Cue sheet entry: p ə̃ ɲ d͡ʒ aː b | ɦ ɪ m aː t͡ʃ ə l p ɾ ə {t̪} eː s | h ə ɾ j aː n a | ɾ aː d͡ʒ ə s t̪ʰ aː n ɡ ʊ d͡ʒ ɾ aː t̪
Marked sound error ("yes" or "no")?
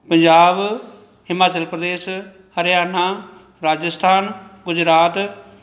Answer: yes